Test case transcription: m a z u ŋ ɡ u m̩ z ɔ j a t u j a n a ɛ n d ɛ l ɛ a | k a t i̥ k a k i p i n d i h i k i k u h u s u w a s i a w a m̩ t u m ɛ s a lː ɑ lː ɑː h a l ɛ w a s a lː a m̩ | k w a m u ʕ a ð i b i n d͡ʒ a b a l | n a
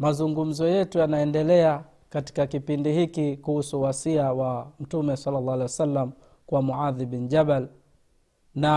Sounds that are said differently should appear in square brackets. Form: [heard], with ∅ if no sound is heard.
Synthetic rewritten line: m a z u ŋ ɡ u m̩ z ɔ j [ɛ] t u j a n a ɛ n d ɛ l ɛ a | k a t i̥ k a k i p i n d i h i k i k u h u s u w a s i a w a m̩ t u m ɛ s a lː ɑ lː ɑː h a l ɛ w a s a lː a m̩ | k w a m u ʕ a ð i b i n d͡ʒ a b a l | n a